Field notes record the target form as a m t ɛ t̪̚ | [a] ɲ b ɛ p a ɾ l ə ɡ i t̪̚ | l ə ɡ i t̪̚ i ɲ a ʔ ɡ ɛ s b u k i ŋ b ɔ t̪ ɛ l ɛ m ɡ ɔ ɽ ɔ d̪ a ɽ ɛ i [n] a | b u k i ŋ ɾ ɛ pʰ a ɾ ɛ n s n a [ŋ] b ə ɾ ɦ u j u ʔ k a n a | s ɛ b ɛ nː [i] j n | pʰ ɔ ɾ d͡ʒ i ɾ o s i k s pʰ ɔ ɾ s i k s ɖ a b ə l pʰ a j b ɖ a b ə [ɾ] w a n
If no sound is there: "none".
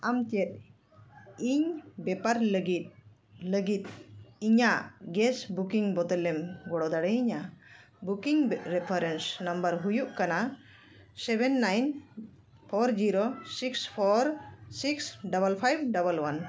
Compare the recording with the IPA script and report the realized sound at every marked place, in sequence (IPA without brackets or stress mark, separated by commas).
i, ɲ, m, a, l